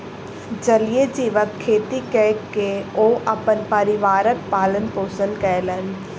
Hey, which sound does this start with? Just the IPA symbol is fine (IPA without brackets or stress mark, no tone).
d͡ʒ